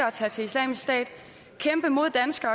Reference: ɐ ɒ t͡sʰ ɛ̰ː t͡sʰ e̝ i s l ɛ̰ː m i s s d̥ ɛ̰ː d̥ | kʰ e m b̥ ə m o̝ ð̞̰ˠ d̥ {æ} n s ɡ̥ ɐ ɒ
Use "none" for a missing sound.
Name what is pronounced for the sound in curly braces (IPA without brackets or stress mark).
æ